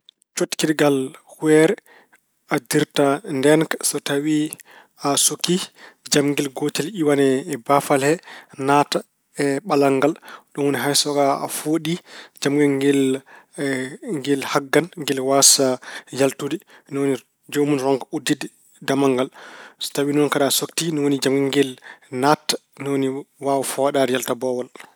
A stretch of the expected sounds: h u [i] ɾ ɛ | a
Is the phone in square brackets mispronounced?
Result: yes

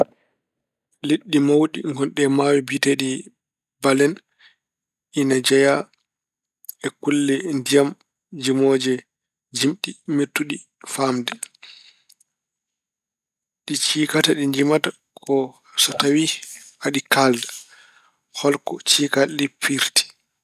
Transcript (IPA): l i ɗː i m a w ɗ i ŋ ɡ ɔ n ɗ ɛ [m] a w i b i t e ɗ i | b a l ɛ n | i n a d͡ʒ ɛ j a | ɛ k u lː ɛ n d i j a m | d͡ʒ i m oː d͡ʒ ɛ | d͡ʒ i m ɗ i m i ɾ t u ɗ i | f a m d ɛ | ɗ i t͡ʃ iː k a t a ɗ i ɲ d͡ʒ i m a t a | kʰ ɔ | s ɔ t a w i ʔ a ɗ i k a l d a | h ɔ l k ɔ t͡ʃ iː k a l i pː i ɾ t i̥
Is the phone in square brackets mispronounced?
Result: no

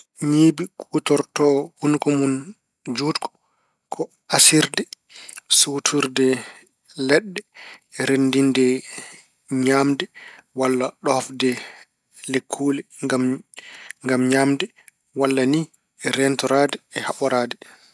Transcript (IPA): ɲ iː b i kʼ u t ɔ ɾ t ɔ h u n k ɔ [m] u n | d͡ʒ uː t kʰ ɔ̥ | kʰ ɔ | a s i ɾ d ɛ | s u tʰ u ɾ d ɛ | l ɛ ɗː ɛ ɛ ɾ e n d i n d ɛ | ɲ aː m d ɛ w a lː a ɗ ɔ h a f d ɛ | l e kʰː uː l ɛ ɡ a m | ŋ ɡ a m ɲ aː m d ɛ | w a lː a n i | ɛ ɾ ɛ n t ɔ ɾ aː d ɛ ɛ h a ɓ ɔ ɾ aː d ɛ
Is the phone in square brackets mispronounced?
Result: no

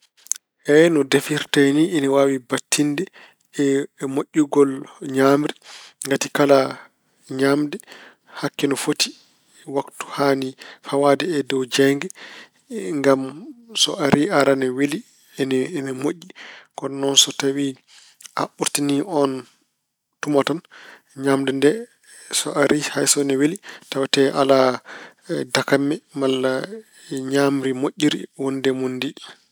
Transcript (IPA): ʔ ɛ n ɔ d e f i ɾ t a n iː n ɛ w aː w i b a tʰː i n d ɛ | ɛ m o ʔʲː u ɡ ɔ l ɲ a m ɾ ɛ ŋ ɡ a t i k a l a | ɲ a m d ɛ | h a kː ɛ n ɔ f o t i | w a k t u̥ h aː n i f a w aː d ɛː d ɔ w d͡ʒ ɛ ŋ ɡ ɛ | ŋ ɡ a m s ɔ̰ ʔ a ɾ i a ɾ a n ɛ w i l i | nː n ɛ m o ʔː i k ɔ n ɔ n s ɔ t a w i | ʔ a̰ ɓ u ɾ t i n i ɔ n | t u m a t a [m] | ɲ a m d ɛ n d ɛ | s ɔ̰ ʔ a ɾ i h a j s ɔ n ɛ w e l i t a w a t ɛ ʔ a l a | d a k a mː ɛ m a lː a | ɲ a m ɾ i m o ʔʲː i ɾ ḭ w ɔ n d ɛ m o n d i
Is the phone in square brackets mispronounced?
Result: yes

